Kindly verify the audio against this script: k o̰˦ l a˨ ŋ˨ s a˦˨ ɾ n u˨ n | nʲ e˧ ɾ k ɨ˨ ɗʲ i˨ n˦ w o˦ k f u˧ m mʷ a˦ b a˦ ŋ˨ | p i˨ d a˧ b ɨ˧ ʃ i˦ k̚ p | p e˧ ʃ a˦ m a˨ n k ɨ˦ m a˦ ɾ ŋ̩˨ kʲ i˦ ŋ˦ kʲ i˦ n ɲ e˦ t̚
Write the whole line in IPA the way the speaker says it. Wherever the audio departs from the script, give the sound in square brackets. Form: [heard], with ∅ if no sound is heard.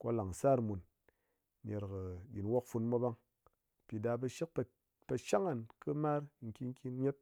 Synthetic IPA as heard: k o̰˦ l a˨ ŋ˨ s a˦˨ ɾ [m] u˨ n | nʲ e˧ ɾ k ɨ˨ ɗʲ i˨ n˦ w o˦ k f u˧ [n] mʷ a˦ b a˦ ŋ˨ | p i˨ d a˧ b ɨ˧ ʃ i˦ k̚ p | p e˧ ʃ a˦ [ŋ] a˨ n k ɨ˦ m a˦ ɾ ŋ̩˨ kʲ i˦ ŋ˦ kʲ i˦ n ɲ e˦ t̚